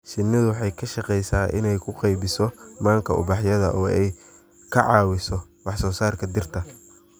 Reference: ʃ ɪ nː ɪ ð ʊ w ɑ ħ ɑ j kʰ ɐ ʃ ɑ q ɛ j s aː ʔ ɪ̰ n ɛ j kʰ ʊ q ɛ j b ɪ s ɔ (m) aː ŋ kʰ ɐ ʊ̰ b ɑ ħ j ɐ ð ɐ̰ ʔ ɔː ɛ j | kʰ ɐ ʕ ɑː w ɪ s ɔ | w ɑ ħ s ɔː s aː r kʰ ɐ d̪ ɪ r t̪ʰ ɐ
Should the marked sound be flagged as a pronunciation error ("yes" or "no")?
no